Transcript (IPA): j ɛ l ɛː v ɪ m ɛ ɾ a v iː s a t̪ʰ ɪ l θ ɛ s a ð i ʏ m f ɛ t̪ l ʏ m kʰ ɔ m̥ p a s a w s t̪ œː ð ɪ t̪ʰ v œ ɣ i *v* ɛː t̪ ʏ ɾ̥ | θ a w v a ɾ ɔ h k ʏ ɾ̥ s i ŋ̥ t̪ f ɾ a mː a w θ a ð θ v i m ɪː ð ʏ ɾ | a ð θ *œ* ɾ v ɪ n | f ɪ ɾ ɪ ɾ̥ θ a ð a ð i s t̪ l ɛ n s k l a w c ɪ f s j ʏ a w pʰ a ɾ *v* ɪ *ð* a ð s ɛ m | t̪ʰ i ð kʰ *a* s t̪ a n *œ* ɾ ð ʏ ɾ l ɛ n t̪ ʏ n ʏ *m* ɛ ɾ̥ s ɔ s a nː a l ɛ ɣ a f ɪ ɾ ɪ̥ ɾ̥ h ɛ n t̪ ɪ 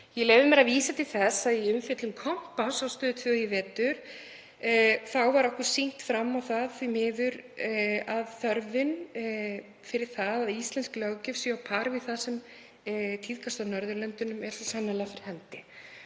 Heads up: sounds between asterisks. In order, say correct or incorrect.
correct, correct, correct, incorrect: θ, correct, correct, correct

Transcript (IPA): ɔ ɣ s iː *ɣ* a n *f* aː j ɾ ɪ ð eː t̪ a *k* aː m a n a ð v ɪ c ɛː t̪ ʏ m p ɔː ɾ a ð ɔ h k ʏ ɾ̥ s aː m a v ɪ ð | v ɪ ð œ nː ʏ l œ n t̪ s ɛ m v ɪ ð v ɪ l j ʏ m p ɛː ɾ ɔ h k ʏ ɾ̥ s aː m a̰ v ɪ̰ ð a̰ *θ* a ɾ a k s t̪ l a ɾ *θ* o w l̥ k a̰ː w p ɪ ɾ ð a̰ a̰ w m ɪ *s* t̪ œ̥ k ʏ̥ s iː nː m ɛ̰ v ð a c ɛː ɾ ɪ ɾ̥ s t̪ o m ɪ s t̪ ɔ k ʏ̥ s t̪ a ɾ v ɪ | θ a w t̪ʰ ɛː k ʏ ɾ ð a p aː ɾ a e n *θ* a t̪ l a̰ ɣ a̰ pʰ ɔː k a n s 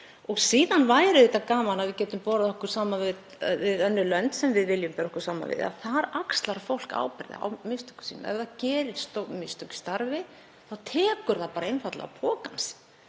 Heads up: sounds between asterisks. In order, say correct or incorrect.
incorrect: ð, incorrect: v, correct, correct, incorrect: f, correct, incorrect: f

